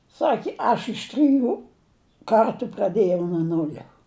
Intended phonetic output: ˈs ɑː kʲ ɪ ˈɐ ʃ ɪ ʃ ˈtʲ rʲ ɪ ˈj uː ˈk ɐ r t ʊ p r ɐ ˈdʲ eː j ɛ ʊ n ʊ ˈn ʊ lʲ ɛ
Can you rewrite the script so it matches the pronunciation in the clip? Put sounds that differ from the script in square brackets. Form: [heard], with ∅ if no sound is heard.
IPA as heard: ˈs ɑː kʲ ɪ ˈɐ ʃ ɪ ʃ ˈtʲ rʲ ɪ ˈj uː ˈk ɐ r t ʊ p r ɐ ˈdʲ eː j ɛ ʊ n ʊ ˈn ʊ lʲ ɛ

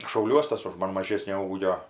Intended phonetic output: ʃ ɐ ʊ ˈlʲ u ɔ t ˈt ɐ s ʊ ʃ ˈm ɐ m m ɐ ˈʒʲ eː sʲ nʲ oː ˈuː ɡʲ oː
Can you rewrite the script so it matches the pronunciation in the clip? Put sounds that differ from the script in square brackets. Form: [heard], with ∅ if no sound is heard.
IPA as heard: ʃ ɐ ʊ ˈlʲ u ɔ [s] ˈt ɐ s ʊ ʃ ˈm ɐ [n] m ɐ ˈʒʲ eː sʲ nʲ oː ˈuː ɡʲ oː

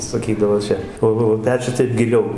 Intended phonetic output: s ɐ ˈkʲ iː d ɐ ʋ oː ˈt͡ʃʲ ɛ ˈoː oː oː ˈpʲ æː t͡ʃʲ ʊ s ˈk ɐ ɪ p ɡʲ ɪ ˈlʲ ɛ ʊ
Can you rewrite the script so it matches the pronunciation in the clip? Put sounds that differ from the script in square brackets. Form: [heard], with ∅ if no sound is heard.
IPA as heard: s ɐ ˈkʲ iː d ɐ ʋ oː ˈt͡ʃʲ ɛ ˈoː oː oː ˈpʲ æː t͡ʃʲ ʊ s [ˈt] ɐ ɪ p ɡʲ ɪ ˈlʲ ɛ ʊ

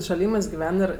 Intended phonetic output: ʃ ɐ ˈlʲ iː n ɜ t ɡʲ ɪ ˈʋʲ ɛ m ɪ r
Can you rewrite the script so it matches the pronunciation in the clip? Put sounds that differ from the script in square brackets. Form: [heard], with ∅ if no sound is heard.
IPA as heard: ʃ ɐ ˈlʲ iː [m] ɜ [s] ɡʲ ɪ ˈʋʲ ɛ [n] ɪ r

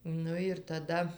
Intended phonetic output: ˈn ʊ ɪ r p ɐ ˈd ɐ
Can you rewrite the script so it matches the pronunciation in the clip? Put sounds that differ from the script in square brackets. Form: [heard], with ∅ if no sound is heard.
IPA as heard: ˈn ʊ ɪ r [t] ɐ ˈd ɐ

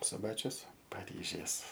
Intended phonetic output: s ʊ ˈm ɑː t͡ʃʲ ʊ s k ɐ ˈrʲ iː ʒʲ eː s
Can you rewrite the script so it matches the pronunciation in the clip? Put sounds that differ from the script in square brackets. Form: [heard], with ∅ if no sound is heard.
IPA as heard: s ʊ [ˈb] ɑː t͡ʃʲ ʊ s [p] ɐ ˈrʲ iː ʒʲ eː s

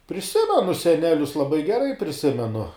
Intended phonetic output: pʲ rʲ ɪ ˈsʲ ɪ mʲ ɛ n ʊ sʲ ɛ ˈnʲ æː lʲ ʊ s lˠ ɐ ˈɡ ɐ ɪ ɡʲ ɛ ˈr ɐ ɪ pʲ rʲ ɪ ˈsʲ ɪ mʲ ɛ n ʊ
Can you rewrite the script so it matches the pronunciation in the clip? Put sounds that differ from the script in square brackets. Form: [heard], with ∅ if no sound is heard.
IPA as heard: pʲ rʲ ɪ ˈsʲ ɪ mʲ ɛ n ʊ sʲ ɛ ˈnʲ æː lʲ ʊ s lˠ ɐ [ˈb] ɐ ɪ ɡʲ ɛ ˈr ɐ ɪ pʲ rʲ ɪ ˈsʲ ɪ mʲ ɛ n ʊ

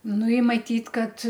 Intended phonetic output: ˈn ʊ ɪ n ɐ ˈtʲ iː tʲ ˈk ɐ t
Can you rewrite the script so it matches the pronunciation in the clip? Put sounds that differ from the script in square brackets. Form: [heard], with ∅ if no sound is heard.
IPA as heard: ˈn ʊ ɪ [m] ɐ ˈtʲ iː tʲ ˈk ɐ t

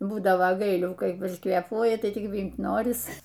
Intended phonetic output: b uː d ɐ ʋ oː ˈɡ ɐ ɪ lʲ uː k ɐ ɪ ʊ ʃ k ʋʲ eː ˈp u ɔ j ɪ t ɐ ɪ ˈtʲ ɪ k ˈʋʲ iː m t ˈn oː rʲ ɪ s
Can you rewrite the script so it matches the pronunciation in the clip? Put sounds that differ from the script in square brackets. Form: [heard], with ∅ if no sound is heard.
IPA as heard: b uː d ɐ ʋ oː ˈɡ ɐ ɪ lʲ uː k ɐ ɪ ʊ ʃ k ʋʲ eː ˈp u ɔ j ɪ t ɐ ɪ ˈtʲ ɪ k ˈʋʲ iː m t ˈn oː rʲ ɪ s

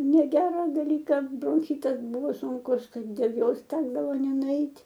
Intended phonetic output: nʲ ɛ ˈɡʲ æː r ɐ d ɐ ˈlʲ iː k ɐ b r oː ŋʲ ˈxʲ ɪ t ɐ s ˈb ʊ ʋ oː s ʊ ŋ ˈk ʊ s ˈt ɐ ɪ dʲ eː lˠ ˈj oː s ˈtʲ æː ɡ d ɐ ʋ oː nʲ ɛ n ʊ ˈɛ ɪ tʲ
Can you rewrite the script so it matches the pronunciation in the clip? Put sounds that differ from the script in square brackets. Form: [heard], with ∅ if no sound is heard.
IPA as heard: nʲ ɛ ˈɡʲ æː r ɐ d ɐ ˈlʲ iː k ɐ b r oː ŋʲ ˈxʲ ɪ t ɐ s ˈb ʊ ʋ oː s ʊ ŋ ˈk ʊ s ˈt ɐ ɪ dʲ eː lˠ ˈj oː s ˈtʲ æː ɡ d ɐ ʋ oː nʲ ɛ n ʊ ˈɛ ɪ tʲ

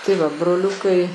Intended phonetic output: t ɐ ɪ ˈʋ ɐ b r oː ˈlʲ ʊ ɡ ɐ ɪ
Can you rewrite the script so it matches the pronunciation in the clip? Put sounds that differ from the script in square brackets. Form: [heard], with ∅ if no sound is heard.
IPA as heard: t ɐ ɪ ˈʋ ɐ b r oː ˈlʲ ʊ [k] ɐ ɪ

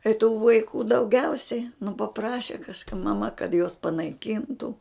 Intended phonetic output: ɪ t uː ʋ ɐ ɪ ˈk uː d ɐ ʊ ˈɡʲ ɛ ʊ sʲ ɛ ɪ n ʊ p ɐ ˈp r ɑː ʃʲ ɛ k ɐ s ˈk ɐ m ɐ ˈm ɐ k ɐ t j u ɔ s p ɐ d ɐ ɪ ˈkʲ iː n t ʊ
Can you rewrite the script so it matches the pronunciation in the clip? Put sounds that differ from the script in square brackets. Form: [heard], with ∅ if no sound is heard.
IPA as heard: ɪ t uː ʋ ɐ ɪ ˈk uː d ɐ ʊ ˈɡʲ ɛ ʊ sʲ ɛ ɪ n ʊ p ɐ ˈp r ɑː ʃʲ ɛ k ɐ [ʃ] ˈk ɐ m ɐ ˈm ɐ k ɐ t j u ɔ s p ɐ [n] ɐ ɪ ˈkʲ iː n t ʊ

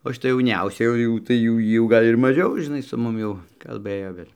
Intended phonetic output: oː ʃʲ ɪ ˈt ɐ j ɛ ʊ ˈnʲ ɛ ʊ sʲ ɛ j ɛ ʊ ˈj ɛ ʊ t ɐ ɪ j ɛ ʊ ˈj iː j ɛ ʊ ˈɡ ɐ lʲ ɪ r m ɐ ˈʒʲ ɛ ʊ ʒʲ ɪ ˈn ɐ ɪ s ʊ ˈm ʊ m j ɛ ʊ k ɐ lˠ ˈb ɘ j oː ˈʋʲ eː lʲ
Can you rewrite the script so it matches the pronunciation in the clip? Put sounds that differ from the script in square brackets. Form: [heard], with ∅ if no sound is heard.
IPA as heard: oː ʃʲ ɪ ˈt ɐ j ɛ ʊ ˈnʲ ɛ ʊ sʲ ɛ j ɛ ʊ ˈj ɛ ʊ t ɐ ɪ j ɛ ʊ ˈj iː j ɛ ʊ ˈɡ ɐ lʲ ɪ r m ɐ ˈʒʲ ɛ ʊ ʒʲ ɪ ˈn ɐ ɪ s ʊ ˈm ʊ m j ɛ ʊ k ɐ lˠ ˈb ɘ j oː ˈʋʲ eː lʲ

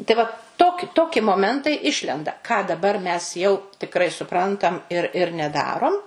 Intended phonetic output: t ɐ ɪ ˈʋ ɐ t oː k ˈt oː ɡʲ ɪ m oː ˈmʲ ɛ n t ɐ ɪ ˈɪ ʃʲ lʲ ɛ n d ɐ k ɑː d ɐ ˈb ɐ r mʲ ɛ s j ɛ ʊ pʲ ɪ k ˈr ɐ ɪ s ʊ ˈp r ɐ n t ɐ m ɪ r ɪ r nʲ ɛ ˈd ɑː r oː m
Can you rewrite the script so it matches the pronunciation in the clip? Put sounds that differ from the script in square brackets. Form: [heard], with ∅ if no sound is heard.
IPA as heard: t ɐ ɪ ˈʋ ɐ t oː k ˈt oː [kʲ] ɪ m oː ˈmʲ ɛ n t ɐ ɪ ˈɪ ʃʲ lʲ ɛ n d ɐ k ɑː d ɐ ˈb ɐ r mʲ ɛ s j ɛ ʊ [tʲ] ɪ k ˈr ɐ ɪ s ʊ ˈp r ɐ n t ɐ m ɪ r ɪ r nʲ ɛ ˈd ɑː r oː m

